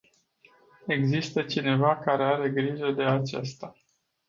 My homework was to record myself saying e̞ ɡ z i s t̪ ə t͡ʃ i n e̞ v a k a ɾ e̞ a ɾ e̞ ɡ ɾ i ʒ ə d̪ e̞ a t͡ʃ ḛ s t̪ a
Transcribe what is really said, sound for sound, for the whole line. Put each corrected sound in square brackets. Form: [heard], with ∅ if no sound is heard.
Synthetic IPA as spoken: e̞ ɡ z i s t̪ ə t͡ʃ i n e̞ v a k a ɾ e̞ a ɾ e̞ ɡ ɾ i ʒ ə d̪ e̞ a t͡ʃ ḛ s t̪ a